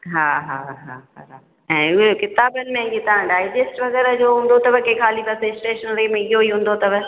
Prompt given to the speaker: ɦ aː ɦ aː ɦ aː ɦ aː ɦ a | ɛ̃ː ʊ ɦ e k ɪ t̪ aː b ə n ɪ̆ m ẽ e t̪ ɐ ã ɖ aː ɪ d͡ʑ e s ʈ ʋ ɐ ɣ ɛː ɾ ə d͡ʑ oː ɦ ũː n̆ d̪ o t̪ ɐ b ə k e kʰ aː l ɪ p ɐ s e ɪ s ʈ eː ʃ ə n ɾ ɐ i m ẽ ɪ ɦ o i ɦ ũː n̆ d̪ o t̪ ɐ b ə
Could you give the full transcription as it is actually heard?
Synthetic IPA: ɦ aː ɦ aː ɦ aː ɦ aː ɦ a | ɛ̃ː ʊ ɦ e k ɪ t̪ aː b ə n ɪ̆ m ẽ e t̪ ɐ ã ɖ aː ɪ d͡ʑ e s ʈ ʋ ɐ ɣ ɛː ɾ ə d͡ʑ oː ɦ ũː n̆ d̪ o t̪ ɐ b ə k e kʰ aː l i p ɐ s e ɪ s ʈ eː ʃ ə n ɾ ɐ i m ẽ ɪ ɦ o i ɦ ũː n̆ d̪ o t̪ ɐ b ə

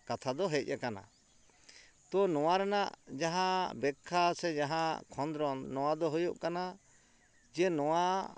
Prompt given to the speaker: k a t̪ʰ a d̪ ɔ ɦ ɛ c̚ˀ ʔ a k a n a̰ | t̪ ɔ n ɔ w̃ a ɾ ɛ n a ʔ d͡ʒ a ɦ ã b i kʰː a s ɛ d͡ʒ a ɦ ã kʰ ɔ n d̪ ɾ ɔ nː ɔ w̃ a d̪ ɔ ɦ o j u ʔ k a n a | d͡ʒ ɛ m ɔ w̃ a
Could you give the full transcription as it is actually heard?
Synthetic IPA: k a t̪ʰ a d̪ ɔ ɦ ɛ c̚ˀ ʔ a k a n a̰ | t̪ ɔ n ɔ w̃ a ɾ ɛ n a ʔ d͡ʒ a ɦ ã b ɛ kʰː a s ɛ d͡ʒ a ɦ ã kʰ ɔ n d̪ ɾ ɔ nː ɔ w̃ a d̪ ɔ ɦ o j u ʔ k a n a | d͡ʒ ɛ n ɔ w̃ a

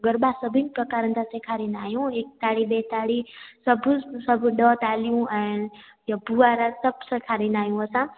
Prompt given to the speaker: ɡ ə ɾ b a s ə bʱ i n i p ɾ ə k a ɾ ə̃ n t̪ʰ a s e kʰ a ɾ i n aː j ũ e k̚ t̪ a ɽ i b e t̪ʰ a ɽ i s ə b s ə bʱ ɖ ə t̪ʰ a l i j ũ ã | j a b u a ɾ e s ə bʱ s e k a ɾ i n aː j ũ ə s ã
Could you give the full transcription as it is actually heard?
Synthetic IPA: ɡ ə ɾ b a s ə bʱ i n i p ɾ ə k a ɾ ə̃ n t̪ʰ a s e kʰ a ɾ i n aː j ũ e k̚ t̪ a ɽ i b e t̪ a ɽ i s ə b s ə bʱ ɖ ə t̪ a l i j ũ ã | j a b u a ɾ a s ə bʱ s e kʰ a ɾ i n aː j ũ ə s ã

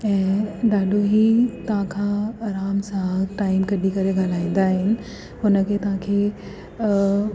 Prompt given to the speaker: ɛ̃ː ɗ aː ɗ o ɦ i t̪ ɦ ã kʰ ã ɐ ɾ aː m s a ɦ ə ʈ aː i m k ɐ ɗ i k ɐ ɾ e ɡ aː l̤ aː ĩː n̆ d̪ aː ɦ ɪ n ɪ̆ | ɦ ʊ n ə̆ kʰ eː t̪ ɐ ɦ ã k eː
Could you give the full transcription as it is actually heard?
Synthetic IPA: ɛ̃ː ɗ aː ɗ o ɦ i t̪ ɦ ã kʰ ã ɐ ɾ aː m s a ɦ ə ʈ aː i m k ɐ ɗ i k ɐ ɾ e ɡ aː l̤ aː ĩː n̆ d̪ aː ɦ ɪ n ɪ̆ | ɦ ʊ n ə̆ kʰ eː t̪ ɐ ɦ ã kʰ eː

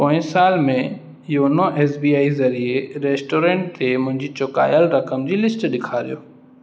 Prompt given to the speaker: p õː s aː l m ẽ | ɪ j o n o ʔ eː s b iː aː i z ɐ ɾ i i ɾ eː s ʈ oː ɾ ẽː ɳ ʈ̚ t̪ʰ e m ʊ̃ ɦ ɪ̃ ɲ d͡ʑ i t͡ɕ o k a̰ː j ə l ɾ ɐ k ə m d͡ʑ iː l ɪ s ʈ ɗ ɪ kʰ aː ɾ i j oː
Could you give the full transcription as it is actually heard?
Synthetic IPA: p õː s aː l m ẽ | ɪ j o n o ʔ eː s b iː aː i z ɐ ɾ i e ɾ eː s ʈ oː ɾ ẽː ɳ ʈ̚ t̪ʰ e m ʊ̃ ɦ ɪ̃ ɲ d͡ʑ i t͡ɕ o k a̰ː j ə l ɾ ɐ k ə m d͡ʑ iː l ɪ s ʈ ɗ ɪ kʰ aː ɾ i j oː

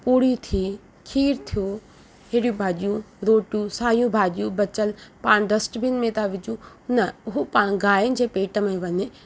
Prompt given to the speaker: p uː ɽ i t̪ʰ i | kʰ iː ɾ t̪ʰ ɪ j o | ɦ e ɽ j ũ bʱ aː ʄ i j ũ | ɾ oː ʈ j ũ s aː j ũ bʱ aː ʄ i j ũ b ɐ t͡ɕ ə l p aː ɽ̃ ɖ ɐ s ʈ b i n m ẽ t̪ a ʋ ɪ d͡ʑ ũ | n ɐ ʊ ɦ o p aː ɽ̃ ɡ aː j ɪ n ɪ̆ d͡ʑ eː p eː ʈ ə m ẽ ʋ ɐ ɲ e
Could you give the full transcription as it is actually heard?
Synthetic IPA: p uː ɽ i t̪ʰ i | kʰ iː ɾ t̪ʰ i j o | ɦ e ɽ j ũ bʱ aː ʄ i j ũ | ɾ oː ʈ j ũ s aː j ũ bʱ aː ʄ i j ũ b ɐ t͡ɕ ə l p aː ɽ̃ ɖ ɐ s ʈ b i n m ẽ t̪ a ʋ ɪ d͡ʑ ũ | n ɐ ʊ ɦ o p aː ɽ̃ ɡ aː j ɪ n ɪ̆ d͡ʑ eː p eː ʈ ə m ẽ ʋ ɐ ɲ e

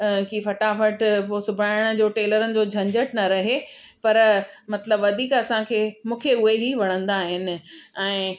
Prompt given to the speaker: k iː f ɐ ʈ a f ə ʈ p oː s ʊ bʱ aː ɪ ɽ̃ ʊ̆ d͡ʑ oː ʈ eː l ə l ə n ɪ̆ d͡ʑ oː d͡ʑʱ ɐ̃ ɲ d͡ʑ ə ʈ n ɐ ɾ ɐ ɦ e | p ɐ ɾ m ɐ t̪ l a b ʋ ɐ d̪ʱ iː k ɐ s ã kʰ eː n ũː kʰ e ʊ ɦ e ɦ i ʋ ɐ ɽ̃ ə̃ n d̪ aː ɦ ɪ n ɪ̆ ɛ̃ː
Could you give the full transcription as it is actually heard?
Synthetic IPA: k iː f ɐ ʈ a f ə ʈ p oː s ʊ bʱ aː ɪ ɽ̃ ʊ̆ d͡ʑ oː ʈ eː l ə ɾ ə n ɪ̆ d͡ʑ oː d͡ʑʱ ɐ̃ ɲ d͡ʑ ə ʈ n ɐ ɾ ɐ ɦ e | p ɐ ɾ m ɐ t̪ l ə b ʋ ɐ d̪ʱ iː k ɐ s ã kʰ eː m ũː kʰ e ʊ ɦ e ɦ i ʋ ɐ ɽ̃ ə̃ n d̪ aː ɦ ɪ n ɪ̆ ɛ̃ː

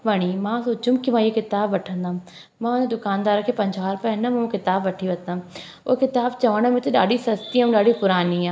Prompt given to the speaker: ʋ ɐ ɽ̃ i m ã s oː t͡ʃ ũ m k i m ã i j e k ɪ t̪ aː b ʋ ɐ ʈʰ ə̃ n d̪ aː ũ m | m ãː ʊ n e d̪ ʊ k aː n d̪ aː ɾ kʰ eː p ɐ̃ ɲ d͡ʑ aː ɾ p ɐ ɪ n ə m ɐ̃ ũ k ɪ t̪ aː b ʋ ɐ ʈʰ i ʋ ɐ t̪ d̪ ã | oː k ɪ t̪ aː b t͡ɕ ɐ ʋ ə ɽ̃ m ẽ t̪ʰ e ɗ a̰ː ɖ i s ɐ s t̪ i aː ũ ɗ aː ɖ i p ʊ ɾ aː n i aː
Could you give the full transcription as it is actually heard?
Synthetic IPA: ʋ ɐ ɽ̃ i m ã s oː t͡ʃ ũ m k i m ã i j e k ɪ t̪ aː b ʋ ɐ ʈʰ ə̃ n d̪ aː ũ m | m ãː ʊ n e d̪ ʊ k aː n d̪ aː ɾ kʰ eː p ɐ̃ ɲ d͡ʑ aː ɾ p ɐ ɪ n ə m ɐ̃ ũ k ɪ t̪ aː b ʋ ɐ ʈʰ i ʋ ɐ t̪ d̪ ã | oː k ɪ t̪ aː b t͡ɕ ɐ ʋ ə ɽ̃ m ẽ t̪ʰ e ɗ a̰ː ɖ i s ɐ s t̪ i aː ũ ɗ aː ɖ i p ʊ ɾ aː n i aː

